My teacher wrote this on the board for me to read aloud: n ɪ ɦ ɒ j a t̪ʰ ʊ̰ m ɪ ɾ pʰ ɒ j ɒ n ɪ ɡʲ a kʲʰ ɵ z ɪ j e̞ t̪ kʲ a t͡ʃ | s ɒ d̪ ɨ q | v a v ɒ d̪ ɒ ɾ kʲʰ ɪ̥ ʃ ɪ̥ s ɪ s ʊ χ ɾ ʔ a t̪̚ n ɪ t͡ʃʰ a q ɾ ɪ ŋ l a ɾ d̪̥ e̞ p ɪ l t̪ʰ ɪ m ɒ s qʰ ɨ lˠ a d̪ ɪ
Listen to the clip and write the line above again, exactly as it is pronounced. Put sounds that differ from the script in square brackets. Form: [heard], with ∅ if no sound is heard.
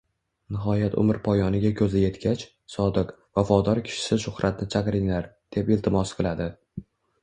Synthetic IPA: n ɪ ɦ ɒ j a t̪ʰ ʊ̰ m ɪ ɾ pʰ ɒ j ɒ n ɪ ɡʲ a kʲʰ ɵ z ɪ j e̞ t̪ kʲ a t͡ʃ | s ɒ d̪ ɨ q | v a [f] ɒ d̪ ɒ ɾ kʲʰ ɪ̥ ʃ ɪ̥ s ɪ [ʃ] ʊ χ ɾ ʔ a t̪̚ n ɪ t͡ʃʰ a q ɾ ɪ ŋ l a ɾ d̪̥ e̞ p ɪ l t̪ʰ ɪ m ɒ s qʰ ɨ lˠ a d̪ ɪ